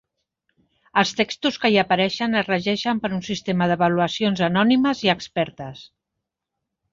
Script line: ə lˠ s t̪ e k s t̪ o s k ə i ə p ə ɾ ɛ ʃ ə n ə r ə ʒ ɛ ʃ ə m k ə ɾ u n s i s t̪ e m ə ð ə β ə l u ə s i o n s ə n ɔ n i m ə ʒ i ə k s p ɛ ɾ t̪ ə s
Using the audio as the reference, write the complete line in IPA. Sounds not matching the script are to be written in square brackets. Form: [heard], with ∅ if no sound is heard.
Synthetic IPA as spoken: ə lˠ s t̪ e k s t̪ [u] s k ə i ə p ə ɾ ɛ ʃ ə n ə r ə ʒ ɛ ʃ ə m [p] ə ɾ u n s i s t̪ e m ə ð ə β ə l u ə s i o n [z] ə n ɔ n i m ə [z] i ə k s p ɛ ɾ t̪ ə s